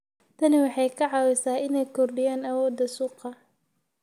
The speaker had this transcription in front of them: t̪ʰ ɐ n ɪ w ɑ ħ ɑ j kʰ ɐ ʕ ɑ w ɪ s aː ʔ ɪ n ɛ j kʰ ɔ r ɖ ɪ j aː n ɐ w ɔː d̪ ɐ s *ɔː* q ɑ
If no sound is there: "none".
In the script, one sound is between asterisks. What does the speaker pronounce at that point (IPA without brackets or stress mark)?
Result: uː